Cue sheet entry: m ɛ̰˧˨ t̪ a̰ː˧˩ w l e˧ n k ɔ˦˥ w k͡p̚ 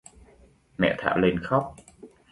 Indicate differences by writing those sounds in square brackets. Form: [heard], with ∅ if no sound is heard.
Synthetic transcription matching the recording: m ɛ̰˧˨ [t̪ʰ] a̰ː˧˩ w l e˧ n [x] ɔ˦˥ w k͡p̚